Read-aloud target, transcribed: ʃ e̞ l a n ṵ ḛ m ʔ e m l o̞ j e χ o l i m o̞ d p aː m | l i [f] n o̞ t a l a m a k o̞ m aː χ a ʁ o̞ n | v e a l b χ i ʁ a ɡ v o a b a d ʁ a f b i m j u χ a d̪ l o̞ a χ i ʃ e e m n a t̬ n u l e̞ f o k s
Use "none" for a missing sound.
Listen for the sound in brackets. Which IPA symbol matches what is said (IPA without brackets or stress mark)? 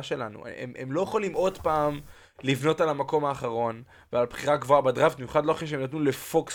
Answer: v